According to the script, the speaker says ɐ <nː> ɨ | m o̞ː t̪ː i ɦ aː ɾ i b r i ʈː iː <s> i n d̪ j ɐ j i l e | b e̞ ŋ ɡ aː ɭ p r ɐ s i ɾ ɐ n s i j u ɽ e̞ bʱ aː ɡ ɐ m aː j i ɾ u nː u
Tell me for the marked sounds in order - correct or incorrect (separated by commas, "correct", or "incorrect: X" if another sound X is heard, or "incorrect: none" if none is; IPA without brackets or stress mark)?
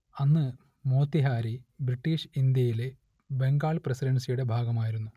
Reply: correct, incorrect: ʂ